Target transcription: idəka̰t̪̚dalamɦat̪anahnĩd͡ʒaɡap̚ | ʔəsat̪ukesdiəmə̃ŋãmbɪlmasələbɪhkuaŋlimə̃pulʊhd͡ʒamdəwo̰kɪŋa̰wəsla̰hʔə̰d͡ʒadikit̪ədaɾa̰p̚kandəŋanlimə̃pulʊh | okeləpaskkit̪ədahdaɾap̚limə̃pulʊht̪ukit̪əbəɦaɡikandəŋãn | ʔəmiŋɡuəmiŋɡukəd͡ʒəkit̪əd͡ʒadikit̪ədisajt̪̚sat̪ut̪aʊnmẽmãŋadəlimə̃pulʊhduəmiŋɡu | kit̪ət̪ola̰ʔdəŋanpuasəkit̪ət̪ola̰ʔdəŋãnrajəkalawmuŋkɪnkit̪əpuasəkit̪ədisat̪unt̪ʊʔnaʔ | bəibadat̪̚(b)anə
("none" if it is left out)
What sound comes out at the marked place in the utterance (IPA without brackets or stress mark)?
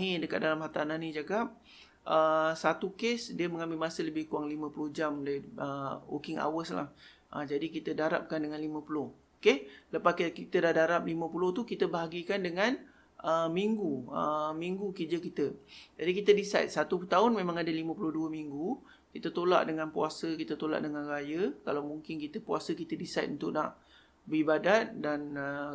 d